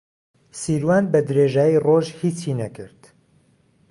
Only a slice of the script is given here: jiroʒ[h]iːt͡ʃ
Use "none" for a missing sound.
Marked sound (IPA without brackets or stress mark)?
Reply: h